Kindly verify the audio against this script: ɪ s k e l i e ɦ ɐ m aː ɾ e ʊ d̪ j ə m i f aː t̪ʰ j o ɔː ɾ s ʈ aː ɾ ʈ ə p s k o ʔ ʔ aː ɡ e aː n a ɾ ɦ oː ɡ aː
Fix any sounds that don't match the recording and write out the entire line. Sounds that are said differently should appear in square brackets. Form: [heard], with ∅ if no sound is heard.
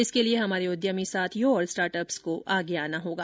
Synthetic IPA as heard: ɪ s k e l i e ɦ ɐ m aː ɾ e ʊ d̪ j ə m i [s] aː t̪ʰ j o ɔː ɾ s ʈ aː ɾ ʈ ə p s k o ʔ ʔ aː ɡ e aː n a [∅] ɦ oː ɡ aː

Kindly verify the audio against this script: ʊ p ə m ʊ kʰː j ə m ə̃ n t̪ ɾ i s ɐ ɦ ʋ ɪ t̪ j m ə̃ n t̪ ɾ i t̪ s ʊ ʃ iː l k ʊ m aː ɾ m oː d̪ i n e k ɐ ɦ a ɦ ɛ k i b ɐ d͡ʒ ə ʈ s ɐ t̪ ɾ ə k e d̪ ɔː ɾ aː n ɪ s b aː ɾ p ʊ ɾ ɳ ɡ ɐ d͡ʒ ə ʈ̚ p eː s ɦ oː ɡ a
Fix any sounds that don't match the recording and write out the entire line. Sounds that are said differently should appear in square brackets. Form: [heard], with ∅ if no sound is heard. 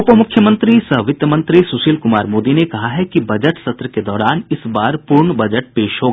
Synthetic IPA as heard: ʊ p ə m ʊ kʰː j ə m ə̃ n t̪ ɾ i s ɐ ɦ ʋ ɪ t̪ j m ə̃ n t̪ ɾ i [∅] s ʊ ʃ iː l k ʊ m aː ɾ m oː d̪ i n e k ɐ ɦ a ɦ ɛ k i b ɐ d͡ʒ ə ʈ s ɐ t̪ ɾ ə k e d̪ ɔː ɾ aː n ɪ s b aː ɾ p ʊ ɾ ɳ [b] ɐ d͡ʒ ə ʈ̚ p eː [ʃ] ɦ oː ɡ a

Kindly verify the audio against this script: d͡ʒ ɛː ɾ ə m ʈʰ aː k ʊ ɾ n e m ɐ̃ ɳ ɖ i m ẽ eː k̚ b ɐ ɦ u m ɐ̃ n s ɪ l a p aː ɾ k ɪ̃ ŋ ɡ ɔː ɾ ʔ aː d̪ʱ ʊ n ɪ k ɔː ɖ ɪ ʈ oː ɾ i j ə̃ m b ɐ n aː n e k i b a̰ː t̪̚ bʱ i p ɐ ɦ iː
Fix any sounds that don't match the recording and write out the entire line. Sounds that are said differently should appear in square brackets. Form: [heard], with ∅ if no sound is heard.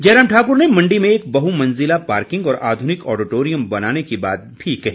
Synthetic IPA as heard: d͡ʒ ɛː ɾ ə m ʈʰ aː k ʊ ɾ n e m ɐ̃ ɳ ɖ i m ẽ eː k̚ b ɐ ɦ u m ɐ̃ n [z] ɪ l a p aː ɾ k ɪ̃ ŋ ɡ ɔː ɾ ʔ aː d̪ʱ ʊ n ɪ k ɔː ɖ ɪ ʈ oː ɾ i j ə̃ m b ɐ n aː n e k i b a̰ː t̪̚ bʱ i [k] ɐ ɦ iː

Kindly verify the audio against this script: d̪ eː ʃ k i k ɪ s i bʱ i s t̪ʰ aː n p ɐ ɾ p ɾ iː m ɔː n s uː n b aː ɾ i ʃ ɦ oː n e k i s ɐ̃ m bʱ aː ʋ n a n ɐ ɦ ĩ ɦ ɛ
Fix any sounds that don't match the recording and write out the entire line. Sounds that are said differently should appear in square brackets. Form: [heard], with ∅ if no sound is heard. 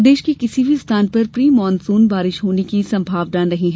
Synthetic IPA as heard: d̪ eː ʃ k i k ɪ s i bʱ i s t̪ʰ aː n p ɐ ɾ p ɾ iː m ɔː n s uː n b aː ɾ [ɪ] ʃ ɦ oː n e k i s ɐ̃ m bʱ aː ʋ n a n ɐ ɦ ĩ ɦ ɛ

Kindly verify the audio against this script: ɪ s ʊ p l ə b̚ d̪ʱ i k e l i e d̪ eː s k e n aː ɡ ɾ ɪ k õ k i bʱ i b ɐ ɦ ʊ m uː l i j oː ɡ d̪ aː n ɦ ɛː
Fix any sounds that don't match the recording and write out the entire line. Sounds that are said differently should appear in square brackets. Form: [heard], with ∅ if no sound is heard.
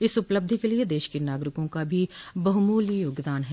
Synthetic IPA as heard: ɪ s ʊ p l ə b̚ d̪ʱ i k e l i e d̪ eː [ʃ] k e n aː ɡ ɾ ɪ k õ k [a] bʱ i b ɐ ɦ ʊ m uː l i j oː ɡ d̪ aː n ɦ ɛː

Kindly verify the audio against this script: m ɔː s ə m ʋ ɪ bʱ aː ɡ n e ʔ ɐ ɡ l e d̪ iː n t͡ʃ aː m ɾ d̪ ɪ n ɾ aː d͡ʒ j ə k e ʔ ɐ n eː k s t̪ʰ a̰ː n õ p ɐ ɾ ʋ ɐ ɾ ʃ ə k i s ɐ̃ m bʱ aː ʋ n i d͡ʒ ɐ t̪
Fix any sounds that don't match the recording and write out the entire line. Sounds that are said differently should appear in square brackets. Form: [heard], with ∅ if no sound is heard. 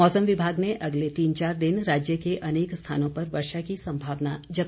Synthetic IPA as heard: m ɔː s ə m ʋ ɪ bʱ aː ɡ n e ʔ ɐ ɡ l e [t̪] iː n t͡ʃ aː [∅] ɾ d̪ ɪ n ɾ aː d͡ʒ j ə k e ʔ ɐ n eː k s t̪ʰ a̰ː n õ p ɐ ɾ ʋ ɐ ɾ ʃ [a] k i s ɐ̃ m bʱ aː ʋ n [a] d͡ʒ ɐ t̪

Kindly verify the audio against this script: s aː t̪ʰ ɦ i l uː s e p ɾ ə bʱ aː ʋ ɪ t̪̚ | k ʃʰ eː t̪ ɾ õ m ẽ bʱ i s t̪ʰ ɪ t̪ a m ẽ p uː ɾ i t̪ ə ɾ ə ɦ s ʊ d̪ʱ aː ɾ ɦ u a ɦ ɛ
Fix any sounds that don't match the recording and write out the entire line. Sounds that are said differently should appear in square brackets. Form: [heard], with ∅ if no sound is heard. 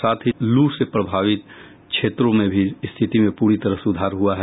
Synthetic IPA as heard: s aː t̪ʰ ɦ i l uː s e p ɾ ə bʱ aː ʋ ɪ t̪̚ | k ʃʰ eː t̪ ɾ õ m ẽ bʱ i s t̪ʰ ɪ t̪ [i] m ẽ p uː ɾ i t̪ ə ɾ ə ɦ s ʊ d̪ʱ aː ɾ ɦ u a ɦ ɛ

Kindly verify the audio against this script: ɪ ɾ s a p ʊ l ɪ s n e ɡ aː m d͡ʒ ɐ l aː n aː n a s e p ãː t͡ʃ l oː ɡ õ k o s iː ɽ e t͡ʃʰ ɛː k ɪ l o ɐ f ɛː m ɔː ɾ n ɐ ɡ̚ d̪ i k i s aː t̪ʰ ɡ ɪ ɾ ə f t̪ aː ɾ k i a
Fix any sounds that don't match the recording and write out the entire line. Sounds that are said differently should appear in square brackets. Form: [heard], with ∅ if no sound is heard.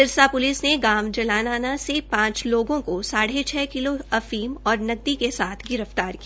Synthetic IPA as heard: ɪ ɾ s a p ʊ l ɪ s n e ɡ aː m d͡ʒ ɐ l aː n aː n a s e p ãː t͡ʃ l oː ɡ õ k o s [aː] ɽ e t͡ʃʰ ɛː k ɪ l o ɐ f [iː] m ɔː ɾ n ɐ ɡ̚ d̪ i k [e] s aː t̪ʰ ɡ ɪ ɾ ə f t̪ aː ɾ k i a

